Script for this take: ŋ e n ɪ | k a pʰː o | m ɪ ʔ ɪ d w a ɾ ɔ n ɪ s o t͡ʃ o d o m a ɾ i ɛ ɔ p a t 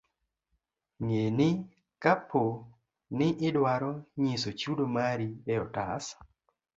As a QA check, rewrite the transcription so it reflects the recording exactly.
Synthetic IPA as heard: ŋ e n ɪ | k a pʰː o | n ɪ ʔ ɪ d w a ɾ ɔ ɲ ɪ s o t͡ʃ u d o m a ɾ i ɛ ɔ t a s